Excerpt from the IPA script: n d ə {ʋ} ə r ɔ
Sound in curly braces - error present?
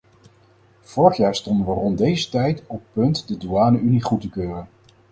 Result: no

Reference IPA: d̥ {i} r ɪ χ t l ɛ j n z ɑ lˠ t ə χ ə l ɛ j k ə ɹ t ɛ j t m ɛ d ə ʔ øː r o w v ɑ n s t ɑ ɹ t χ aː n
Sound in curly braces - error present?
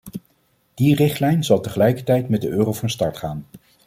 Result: no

